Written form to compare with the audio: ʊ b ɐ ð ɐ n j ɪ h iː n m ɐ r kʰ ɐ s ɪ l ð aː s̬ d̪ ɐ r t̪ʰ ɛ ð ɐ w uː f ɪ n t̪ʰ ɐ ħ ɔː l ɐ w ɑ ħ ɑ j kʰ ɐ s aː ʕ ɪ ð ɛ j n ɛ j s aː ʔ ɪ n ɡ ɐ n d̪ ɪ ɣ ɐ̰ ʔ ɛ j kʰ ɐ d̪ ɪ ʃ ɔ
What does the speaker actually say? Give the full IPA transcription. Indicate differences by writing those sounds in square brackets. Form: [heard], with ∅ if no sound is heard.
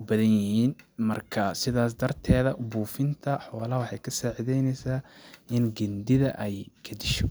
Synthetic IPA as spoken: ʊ b ɐ ð ɐ n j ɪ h iː n m ɐ r kʰ ɐ s ɪ [∅] ð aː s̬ d̪ ɐ r t̪ʰ [ɛː] ð ɐ [b] uː f ɪ n t̪ʰ ɐ ħ ɔː l ɐ w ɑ ħ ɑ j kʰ ɐ s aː ʕ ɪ ð ɛ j n ɛ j s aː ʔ ɪ n ɡ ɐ n d̪ ɪ [ð] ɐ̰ ʔ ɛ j kʰ ɐ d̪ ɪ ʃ ɔ